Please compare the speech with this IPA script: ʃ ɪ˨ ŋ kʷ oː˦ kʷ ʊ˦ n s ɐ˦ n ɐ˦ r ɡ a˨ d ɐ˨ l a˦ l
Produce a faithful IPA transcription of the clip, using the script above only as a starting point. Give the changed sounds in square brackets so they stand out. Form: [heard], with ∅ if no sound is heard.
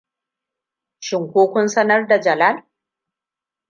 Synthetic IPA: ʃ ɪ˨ ŋ kʷ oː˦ kʷ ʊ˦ n s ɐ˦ n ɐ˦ r [d] a˨ [d͡ʒ] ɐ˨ l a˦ l